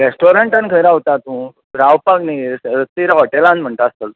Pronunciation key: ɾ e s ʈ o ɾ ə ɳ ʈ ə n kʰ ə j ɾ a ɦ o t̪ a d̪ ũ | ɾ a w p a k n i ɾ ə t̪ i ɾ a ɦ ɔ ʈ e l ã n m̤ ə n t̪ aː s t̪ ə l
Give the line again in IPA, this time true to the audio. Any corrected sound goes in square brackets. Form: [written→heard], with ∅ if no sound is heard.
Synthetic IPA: ɾ e s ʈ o ɾ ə ɳ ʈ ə n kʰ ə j ɾ a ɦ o t̪ a [d̪→t̪] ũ | ɾ a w p a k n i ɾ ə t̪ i ɾ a ɦ ɔ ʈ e l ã n m̤ ə [n→ɳ] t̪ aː s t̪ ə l